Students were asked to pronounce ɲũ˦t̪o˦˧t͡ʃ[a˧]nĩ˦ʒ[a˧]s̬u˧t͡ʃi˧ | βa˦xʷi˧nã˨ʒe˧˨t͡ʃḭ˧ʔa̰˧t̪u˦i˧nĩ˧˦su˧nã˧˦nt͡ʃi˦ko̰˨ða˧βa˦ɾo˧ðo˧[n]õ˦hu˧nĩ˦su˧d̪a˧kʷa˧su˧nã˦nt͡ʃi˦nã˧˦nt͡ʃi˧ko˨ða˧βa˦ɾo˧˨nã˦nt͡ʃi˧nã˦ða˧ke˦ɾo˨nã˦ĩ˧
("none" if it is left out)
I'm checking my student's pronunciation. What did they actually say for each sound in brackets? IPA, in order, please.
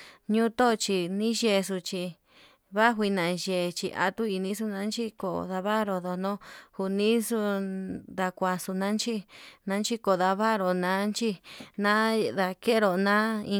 i˧, e˧, n

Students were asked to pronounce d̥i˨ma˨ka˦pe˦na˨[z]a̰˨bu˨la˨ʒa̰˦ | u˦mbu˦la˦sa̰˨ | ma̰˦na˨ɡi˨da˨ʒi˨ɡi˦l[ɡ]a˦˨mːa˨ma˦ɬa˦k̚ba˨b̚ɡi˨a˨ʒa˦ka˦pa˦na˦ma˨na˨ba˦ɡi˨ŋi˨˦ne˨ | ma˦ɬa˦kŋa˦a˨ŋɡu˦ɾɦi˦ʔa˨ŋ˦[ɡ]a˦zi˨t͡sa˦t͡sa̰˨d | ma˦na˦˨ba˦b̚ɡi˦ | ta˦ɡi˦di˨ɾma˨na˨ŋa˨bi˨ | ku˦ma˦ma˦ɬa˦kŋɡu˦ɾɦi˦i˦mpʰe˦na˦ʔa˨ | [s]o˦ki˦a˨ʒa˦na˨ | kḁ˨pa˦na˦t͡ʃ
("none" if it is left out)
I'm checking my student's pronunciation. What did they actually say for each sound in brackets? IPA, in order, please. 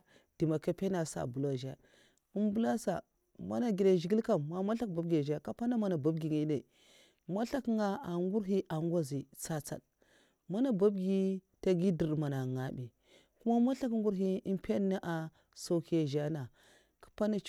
s, k, ɡ, s

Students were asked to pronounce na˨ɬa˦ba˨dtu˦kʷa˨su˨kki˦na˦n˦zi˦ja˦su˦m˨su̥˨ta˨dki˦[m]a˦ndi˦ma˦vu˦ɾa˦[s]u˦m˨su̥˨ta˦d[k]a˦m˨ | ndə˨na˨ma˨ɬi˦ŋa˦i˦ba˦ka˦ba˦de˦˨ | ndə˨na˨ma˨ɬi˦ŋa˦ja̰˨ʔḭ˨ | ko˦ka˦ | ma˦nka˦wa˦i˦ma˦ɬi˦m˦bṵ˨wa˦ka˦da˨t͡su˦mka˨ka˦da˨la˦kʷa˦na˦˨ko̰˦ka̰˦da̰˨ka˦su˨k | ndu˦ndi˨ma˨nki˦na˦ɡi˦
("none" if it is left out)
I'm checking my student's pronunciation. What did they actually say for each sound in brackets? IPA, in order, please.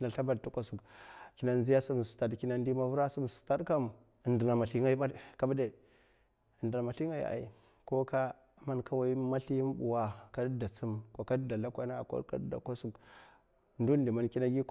n, s, k

